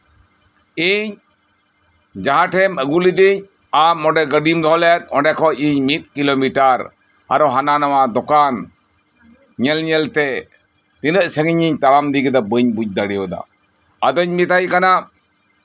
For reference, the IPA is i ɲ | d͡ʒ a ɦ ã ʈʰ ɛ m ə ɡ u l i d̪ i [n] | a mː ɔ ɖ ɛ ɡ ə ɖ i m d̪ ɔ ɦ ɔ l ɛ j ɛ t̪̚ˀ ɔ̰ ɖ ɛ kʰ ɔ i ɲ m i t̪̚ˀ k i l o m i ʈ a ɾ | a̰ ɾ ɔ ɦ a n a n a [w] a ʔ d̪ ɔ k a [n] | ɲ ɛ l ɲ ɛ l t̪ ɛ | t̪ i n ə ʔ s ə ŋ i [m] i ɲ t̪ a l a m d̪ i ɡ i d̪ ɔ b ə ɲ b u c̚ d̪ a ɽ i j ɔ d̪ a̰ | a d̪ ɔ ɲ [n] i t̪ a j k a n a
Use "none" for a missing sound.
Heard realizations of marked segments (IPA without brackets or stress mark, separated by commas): ɲ, w, n, ɲ, m